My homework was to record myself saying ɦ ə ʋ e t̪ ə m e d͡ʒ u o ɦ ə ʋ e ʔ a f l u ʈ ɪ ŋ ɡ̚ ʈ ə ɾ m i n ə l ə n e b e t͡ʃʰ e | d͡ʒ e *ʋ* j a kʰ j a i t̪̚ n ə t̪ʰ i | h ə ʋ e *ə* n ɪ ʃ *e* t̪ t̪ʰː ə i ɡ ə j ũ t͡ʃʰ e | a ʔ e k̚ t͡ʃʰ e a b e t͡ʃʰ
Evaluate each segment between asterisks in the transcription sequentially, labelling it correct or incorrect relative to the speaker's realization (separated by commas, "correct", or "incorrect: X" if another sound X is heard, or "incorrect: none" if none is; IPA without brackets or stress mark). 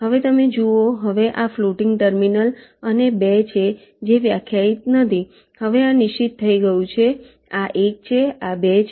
correct, incorrect: a, incorrect: i